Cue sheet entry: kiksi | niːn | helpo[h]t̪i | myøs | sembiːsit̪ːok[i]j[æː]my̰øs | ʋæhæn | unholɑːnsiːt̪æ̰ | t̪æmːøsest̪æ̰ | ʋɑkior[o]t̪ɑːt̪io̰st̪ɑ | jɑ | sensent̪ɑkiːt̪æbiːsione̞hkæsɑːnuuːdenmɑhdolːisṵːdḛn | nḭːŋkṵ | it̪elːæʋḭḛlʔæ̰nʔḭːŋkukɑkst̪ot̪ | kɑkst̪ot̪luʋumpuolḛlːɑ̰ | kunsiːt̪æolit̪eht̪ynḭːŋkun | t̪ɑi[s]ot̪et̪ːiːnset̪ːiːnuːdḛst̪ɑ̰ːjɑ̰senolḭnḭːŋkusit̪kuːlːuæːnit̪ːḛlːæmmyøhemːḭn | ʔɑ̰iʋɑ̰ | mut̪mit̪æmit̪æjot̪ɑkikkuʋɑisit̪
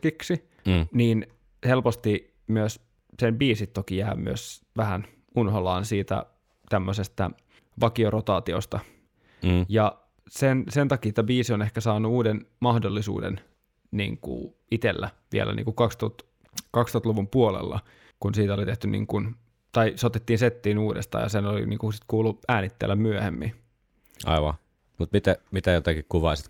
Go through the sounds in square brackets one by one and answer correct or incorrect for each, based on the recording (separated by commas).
incorrect, correct, correct, correct, correct